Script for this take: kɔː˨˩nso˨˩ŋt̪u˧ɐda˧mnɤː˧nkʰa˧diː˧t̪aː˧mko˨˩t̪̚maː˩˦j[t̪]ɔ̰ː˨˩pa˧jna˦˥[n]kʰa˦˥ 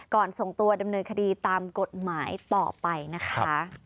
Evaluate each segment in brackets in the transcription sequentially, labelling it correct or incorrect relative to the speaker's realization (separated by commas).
correct, incorrect